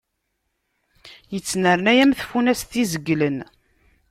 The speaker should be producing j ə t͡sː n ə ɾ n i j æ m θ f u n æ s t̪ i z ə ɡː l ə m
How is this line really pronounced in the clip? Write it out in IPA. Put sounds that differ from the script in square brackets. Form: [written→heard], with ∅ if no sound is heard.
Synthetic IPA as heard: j ə t͡sː n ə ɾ n [i→æ] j æ m θ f u n æ s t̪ i z ə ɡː l ə [m→n]